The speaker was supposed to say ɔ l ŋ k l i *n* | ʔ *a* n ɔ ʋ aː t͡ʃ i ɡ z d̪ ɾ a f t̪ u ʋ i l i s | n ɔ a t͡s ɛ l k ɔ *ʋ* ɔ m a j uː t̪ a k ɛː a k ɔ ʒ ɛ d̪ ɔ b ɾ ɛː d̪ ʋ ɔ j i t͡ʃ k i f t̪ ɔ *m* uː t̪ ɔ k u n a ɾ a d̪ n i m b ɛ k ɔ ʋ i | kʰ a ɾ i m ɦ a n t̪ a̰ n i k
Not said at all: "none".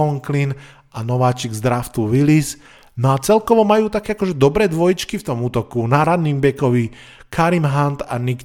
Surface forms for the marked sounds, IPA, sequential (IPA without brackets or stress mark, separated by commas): n, a, ʋ, m